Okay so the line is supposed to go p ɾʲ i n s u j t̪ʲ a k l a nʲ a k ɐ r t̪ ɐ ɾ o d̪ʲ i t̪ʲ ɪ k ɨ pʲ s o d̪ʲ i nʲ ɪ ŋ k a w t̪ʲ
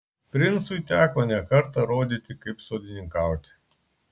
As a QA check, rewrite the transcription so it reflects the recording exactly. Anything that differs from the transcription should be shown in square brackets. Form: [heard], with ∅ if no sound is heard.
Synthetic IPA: p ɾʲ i n s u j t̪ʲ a k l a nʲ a k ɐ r t̪ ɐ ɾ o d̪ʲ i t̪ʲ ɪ k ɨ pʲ s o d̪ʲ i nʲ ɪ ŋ k a w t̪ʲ